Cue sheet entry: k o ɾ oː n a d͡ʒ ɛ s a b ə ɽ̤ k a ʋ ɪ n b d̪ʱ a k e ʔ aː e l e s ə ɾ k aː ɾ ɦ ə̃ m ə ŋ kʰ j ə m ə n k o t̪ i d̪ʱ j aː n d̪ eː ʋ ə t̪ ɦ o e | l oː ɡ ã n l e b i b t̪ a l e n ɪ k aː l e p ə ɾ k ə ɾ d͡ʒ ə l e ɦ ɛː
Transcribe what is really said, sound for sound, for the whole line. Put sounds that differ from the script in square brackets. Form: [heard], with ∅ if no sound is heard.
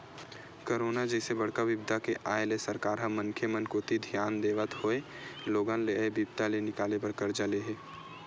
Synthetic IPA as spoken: k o ɾ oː n a d͡ʒ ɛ s [e] b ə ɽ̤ k a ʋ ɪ [∅] b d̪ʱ a k e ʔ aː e l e s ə ɾ k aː ɾ ɦ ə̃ m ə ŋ kʰ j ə m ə n k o t̪ i d̪ʱ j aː n d̪ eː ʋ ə t̪ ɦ o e | l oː ɡ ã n l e b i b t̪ a l e n ɪ k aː l e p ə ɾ k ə ɾ d͡ʒ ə l e ɦ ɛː